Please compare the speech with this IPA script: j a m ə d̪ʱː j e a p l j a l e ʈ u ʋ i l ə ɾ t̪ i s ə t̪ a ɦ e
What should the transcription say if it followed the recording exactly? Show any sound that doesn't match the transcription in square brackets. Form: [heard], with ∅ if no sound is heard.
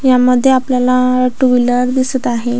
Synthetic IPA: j a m ə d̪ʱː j e a p l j a l [a] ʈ u ʋ i l ə ɾ [d̪] i s ə t̪ a ɦ e